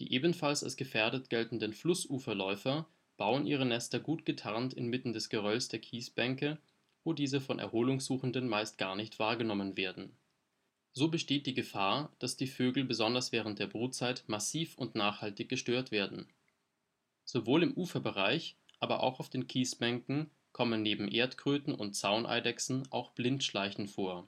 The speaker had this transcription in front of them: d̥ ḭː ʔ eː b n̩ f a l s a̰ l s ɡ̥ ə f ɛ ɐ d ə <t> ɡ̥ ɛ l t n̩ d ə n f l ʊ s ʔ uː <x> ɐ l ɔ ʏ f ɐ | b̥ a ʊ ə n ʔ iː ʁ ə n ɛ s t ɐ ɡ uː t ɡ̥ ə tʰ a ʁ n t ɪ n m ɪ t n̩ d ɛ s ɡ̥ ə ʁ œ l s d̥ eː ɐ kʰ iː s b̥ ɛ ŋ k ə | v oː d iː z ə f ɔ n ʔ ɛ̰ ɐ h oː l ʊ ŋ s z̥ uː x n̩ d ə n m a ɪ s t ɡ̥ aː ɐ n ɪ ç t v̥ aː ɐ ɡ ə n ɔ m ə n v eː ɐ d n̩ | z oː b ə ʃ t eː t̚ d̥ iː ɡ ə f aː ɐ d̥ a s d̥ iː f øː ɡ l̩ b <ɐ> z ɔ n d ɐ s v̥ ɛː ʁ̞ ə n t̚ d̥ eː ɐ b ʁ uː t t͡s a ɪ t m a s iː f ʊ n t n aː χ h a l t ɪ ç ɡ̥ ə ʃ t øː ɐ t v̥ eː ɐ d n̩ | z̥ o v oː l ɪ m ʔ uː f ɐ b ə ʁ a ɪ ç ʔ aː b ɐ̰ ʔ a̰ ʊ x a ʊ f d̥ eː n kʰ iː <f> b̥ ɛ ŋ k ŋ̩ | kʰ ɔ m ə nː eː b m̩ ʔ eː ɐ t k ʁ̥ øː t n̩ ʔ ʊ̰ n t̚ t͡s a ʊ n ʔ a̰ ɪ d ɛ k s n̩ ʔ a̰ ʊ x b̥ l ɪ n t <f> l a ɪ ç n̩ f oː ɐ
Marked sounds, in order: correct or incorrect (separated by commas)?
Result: correct, incorrect, incorrect, incorrect, incorrect